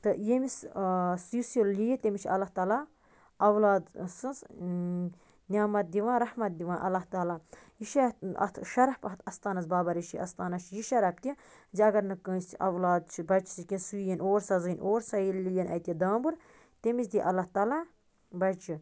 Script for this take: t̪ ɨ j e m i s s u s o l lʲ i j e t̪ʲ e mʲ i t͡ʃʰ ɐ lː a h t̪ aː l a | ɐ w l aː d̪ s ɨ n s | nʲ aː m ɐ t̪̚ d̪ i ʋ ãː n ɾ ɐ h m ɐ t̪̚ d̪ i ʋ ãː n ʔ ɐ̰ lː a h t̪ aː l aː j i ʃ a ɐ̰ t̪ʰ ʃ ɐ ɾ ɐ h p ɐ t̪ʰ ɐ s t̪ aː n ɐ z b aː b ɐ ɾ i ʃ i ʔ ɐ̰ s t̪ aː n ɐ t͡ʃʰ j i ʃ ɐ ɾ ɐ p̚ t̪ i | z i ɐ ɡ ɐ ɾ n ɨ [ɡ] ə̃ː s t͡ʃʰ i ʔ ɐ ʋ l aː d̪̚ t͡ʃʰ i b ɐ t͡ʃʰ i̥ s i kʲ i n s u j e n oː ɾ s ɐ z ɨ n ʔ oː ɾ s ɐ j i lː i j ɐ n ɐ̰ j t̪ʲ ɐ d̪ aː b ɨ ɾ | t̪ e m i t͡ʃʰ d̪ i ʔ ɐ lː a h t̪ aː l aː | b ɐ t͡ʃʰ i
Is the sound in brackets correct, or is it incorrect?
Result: incorrect